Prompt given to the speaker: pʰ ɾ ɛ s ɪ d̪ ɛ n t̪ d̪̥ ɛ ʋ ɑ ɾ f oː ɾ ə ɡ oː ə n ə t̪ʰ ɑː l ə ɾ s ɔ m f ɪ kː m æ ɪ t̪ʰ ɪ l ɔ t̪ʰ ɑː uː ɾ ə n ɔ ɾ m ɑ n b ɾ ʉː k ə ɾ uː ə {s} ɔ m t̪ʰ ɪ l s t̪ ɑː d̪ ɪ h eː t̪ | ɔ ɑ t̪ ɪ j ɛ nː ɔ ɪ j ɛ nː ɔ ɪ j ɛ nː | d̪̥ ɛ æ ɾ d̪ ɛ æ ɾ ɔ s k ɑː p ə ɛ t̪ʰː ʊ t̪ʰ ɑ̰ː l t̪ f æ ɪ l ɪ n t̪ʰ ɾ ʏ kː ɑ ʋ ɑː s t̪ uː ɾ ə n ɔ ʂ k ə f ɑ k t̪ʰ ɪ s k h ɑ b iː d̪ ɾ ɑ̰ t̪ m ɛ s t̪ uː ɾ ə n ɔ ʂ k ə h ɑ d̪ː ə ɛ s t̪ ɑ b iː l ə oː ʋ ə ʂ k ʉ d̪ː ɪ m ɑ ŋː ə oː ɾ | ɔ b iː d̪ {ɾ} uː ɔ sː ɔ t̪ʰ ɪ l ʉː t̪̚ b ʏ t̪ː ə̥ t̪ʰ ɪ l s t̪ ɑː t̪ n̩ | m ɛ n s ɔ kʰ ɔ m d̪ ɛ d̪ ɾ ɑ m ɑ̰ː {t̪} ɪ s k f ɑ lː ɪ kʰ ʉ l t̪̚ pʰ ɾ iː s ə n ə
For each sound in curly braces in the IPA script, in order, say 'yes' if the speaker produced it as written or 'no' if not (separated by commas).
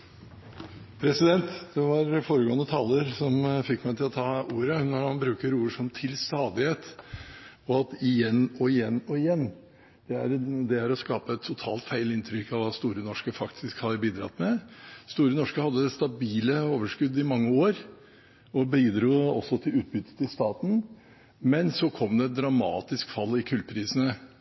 no, yes, yes